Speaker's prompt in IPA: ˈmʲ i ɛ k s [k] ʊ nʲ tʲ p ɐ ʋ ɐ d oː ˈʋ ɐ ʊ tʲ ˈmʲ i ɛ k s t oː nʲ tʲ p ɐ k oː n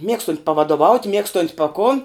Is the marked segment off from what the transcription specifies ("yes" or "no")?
yes